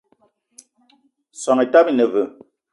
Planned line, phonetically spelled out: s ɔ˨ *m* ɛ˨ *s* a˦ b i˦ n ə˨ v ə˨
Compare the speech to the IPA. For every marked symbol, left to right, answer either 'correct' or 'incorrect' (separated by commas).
incorrect, incorrect